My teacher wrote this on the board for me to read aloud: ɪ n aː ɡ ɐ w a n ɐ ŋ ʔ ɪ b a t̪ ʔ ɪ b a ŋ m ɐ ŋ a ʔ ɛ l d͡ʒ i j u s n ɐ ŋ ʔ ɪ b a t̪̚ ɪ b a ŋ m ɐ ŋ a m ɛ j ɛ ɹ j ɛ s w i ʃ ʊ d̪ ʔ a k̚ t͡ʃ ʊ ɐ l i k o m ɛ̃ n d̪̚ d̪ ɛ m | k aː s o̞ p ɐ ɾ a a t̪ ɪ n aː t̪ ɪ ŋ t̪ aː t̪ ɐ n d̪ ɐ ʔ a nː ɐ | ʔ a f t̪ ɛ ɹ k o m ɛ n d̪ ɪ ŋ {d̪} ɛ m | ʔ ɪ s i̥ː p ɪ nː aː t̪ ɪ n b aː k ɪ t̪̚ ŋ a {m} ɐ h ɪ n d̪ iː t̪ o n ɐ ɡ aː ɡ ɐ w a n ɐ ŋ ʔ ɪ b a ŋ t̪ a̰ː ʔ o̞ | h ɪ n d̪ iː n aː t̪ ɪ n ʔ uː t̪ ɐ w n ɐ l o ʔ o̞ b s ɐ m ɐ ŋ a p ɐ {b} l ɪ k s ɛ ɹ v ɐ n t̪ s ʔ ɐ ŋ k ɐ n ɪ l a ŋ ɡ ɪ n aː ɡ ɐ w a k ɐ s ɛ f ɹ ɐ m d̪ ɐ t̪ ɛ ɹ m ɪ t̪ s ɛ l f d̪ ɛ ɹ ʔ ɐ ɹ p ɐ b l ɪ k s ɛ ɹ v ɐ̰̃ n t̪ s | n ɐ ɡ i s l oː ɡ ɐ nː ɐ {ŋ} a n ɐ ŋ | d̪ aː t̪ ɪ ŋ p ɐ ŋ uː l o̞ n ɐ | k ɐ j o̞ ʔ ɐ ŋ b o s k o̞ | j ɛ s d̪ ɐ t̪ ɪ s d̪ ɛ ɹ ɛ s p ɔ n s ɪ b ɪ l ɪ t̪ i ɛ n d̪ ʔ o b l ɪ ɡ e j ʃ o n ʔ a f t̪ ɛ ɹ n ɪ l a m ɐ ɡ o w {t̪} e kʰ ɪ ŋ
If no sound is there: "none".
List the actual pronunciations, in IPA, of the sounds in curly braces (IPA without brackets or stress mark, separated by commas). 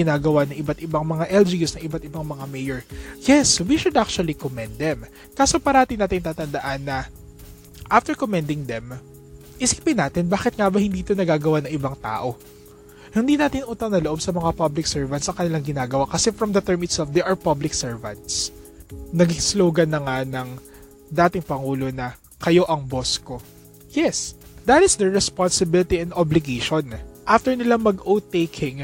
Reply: d̪, b, b, ŋ, t̪